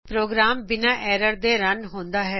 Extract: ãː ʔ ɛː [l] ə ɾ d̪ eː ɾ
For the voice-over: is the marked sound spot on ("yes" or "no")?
no